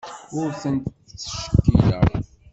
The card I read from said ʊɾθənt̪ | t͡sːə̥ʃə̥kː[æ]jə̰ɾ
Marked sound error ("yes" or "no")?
yes